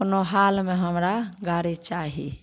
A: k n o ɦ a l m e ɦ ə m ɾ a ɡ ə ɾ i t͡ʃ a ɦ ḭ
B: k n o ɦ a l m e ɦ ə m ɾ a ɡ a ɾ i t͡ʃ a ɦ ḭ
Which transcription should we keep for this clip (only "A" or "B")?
B